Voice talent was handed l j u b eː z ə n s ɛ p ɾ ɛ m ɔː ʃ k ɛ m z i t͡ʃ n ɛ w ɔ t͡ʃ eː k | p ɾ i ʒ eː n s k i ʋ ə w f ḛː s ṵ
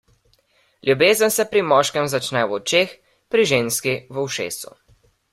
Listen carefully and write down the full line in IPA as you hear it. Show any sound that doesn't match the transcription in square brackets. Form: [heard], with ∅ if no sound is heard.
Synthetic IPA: l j u b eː z ə n s ɛ p ɾ [i] m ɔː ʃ k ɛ m z [a] t͡ʃ n ɛ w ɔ t͡ʃ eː [x] | p ɾ i ʒ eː n s k i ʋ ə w [ʃ] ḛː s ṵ